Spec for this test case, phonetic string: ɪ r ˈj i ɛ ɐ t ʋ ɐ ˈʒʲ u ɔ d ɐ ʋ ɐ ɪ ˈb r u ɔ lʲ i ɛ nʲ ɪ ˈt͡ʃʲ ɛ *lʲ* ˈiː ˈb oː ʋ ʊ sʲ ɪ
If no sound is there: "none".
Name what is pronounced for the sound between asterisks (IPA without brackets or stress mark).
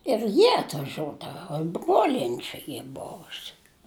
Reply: none